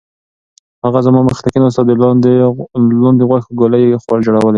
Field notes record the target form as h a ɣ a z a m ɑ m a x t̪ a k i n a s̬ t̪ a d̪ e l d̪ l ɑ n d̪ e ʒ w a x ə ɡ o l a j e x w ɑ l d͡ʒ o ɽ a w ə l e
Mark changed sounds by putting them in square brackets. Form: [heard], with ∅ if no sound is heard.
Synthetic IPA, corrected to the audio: h a ɣ a z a m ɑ m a x t̪ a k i n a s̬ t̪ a d̪ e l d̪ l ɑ n d̪ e [ɣ] w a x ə ɡ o l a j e x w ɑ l d͡ʒ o ɽ a w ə l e